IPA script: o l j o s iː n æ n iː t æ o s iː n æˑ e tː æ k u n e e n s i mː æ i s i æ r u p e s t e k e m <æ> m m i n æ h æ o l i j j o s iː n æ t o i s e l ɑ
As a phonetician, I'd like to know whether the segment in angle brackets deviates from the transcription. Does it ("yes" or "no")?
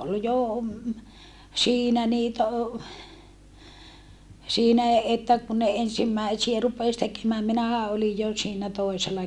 yes